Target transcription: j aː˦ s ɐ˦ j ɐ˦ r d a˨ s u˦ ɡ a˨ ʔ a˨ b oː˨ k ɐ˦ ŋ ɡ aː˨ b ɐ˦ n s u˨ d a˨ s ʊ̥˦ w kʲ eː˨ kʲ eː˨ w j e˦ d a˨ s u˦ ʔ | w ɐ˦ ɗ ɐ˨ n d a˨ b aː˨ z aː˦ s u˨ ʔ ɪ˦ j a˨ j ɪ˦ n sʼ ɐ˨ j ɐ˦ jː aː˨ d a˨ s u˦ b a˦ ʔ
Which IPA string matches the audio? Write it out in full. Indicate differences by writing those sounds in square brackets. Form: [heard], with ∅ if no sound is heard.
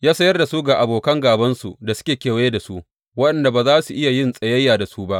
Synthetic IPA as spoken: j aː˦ s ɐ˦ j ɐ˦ r d a˨ s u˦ ɡ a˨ ʔ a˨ b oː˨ k ɐ˦ ŋ ɡ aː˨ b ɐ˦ n s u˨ d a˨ s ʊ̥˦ [∅] kʲ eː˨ kʲ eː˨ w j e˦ d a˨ s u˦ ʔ | w ɐ˦ ɗ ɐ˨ n d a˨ b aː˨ z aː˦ s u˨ ʔ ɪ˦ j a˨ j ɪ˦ n sʼ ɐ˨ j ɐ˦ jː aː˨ d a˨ s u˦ b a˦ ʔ